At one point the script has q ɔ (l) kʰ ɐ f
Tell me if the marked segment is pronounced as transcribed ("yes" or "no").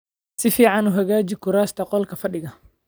yes